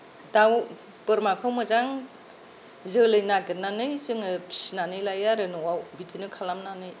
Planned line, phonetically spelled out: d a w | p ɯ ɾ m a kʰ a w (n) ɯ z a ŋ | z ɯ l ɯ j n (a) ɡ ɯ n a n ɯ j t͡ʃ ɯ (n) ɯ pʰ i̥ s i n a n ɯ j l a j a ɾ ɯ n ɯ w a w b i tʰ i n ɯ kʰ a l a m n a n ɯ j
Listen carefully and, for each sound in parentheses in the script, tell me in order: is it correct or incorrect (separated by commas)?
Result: incorrect, correct, incorrect